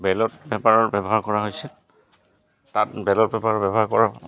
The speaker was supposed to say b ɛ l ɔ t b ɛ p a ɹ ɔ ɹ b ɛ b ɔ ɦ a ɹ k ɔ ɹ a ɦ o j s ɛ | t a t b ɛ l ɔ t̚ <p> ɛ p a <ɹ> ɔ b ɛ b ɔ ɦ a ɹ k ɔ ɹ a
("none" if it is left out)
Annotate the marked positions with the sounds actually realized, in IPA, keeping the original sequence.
b, ɹ

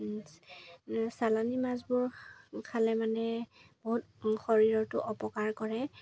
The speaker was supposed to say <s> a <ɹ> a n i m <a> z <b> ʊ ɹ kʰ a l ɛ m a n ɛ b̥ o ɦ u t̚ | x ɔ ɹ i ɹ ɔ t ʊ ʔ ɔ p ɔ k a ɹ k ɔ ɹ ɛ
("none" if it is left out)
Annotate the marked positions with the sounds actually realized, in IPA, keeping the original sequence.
s, l, a, b

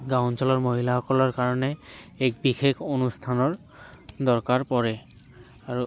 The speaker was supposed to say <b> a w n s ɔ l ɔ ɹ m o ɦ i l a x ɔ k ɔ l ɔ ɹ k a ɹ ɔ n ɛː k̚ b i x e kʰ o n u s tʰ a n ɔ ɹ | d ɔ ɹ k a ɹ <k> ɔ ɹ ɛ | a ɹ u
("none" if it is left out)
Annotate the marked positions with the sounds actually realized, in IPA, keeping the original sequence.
ɡ, p

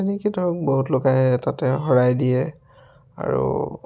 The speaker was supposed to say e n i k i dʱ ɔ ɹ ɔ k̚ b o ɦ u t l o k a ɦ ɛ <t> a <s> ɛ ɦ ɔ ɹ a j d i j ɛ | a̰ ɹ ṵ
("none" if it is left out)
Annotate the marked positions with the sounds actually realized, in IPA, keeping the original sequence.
t, t

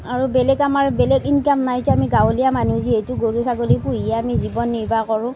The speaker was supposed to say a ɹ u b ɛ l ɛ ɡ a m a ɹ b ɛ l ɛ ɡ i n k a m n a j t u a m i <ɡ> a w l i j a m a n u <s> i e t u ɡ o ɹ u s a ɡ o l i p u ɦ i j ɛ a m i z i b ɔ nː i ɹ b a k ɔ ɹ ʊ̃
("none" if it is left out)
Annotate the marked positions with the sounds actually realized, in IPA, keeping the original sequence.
ɡ, z

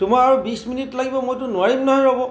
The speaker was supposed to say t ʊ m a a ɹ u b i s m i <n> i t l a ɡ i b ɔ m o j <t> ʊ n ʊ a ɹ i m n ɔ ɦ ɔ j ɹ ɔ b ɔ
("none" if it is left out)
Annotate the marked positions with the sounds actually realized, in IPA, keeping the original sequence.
n, t

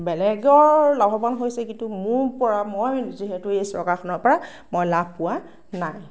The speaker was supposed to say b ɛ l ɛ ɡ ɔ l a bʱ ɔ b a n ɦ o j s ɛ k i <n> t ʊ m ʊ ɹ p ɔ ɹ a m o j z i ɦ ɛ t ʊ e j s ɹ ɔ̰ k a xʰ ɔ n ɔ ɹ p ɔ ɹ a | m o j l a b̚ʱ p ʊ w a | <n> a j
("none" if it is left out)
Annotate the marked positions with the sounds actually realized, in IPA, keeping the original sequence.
n, n

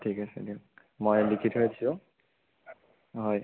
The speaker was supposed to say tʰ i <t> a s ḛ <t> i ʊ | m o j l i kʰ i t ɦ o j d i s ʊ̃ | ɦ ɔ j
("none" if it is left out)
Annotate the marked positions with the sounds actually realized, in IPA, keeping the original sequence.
k, d

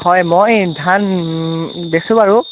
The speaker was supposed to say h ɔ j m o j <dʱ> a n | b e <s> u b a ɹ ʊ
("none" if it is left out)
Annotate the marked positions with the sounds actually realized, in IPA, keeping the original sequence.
dʱ, s

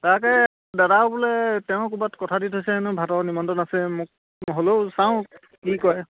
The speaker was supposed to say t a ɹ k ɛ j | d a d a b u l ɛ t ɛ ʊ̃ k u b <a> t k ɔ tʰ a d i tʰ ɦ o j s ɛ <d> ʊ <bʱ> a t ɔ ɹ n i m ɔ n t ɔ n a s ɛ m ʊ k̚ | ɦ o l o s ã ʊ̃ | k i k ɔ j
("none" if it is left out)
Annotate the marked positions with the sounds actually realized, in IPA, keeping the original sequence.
a, n, bʱ

